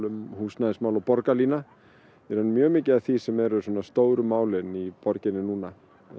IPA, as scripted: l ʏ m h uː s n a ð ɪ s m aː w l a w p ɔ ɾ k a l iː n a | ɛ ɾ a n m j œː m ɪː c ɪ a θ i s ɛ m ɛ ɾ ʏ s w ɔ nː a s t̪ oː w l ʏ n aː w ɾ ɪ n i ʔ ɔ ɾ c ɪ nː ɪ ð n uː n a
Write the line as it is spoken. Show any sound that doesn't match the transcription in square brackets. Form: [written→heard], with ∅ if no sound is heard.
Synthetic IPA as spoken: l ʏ m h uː s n a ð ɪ s m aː w l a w p ɔ ɾ k a l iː n a | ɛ ɾ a n m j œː m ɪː c ɪ a θ i s ɛ m ɛ ɾ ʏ s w ɔ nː a s t̪ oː w [l→ɾ] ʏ [n→m] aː w [ɾ→l] ɪ n i [ʔ→p] ɔ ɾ c ɪ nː ɪ [ð→∅] n uː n a